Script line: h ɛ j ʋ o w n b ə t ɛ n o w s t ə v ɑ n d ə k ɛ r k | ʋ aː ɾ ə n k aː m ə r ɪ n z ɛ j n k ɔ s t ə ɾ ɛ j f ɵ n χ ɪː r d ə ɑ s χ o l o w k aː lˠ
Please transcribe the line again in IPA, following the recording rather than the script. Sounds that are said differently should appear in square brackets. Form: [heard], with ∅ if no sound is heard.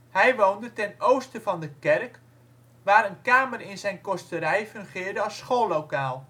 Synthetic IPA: h ɛ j ʋ o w n [d] ə t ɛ n o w s t ə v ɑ n d ə k ɛ r k | ʋ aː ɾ ə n k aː m ə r ɪ n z ɛ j n k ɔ s t ə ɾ ɛ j f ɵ [ŋ] χ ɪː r d ə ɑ s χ o l o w k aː lˠ

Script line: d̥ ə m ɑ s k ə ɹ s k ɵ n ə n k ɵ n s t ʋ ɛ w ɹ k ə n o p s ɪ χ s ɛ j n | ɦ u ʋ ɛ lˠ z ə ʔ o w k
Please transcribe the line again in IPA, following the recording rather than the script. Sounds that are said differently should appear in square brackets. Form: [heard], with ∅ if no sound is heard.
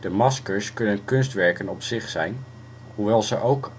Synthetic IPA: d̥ ə m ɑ s k ə ɹ s k ɵ n ə n k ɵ n s t ʋ ɛ [∅] ɹ k ə n [ɔ] p s ɪ χ s ɛ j n | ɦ u ʋ ɛ lˠ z ə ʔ o w k

